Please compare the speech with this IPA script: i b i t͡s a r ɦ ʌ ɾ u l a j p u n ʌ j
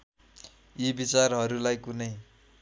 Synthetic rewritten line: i b i t͡s a r ɦ ʌ ɾ u l a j k u n ʌ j